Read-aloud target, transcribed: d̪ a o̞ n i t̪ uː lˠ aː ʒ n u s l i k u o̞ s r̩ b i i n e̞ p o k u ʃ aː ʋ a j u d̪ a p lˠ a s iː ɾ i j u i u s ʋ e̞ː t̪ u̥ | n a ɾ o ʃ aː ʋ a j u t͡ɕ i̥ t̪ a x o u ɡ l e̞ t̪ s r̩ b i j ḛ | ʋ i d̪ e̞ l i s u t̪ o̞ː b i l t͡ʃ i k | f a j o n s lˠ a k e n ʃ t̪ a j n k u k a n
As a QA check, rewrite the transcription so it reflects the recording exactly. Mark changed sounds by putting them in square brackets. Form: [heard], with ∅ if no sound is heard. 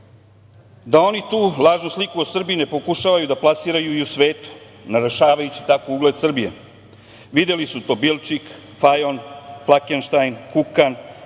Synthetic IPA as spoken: d̪ a o̞ n i t̪ uː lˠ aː ʒ n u s l i k u o̞ s r̩ b i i n e̞ p o k u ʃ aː ʋ a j u d̪ a p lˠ a s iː ɾ [a] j u i u s ʋ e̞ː t̪ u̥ | n a ɾ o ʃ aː ʋ a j u t͡ɕ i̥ t̪ a [k] o u ɡ l e̞ [d̪] s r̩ b i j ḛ | ʋ i d̪ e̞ l i s u t̪ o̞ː b i l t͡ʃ i k | f a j o n [f] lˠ a k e n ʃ t̪ a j n k u k a n